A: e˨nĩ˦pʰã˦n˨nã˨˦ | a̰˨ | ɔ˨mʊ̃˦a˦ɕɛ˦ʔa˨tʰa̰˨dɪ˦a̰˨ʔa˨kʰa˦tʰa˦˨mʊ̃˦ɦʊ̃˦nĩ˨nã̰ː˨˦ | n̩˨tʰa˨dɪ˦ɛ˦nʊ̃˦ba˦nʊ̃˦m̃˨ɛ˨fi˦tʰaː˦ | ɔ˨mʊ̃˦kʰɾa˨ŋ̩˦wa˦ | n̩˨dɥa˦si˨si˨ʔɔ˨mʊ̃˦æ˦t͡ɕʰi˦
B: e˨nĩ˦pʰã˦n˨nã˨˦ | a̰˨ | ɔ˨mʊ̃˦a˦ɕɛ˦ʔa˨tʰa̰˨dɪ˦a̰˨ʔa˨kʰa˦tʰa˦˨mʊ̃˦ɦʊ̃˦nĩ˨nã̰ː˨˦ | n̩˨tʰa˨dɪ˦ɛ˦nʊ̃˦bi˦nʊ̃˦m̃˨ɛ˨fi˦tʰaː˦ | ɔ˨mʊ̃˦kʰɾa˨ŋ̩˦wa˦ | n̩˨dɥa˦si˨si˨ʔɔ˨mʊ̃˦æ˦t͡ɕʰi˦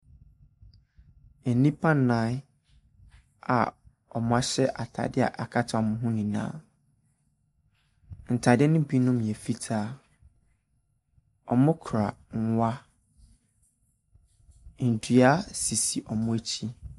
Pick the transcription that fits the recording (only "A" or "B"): B